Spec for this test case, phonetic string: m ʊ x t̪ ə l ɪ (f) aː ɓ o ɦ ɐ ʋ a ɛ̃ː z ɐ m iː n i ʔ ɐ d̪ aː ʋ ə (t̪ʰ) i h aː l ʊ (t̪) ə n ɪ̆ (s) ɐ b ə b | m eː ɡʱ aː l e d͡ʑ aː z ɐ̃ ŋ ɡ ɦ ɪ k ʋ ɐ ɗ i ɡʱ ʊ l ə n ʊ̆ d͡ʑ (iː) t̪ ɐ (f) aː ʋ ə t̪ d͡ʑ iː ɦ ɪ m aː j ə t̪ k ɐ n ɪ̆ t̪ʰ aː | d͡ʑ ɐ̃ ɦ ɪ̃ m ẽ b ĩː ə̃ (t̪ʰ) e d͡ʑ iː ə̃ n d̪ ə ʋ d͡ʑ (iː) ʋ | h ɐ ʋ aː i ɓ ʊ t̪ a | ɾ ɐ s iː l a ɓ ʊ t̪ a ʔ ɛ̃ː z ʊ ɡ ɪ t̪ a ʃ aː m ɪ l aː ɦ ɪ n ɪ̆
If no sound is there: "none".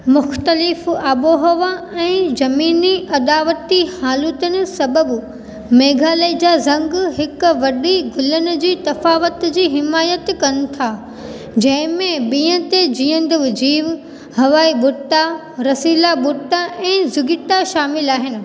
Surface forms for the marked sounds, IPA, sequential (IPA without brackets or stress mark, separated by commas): f, t̪, t̪, s, iː, f, t̪, iː